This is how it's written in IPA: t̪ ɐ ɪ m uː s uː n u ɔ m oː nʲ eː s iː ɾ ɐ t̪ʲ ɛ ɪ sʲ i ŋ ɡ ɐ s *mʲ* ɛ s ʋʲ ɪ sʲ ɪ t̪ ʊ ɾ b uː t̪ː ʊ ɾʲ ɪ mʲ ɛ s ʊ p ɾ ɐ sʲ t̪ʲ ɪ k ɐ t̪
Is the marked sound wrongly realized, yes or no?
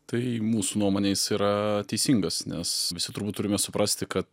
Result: yes